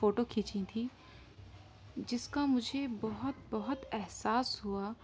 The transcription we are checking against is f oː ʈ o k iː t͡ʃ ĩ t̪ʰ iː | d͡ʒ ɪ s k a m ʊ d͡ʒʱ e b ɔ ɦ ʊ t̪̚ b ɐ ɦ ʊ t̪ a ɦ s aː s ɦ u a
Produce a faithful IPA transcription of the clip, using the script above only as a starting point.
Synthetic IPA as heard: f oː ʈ o kʰ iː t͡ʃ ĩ t̪ʰ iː | d͡ʒ ɪ s k a m ʊ d͡ʒʱ e b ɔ ɦ ʊ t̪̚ b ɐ ɦ ʊ t̪ ɛ ɦ s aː s ɦ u a